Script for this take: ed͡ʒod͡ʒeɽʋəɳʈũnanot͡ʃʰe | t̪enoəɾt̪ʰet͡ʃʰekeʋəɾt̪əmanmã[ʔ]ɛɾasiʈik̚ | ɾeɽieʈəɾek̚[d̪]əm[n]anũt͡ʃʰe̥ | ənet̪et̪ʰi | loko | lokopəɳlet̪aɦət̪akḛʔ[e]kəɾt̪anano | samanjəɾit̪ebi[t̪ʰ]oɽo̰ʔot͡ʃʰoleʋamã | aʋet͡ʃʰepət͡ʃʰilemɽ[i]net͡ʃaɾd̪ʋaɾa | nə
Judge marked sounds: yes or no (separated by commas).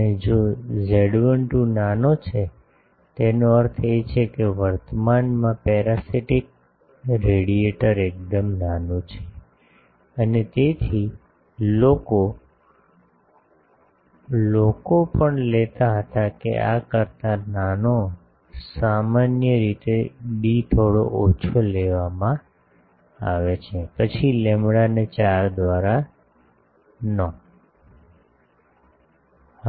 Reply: no, yes, yes, no, yes, no